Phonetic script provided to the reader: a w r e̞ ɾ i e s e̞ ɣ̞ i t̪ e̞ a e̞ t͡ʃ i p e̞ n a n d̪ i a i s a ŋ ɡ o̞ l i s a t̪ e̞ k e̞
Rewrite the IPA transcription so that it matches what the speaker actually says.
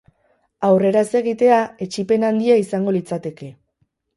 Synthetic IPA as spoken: a w r e̞ ɾ a e s e̞ ɣ̞ i t̪ e̞ a e̞ t͡ʃ i p e̞ n a n d̪ i a i s a ŋ ɡ o̞ l i t͡s a t̪ e̞ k e̞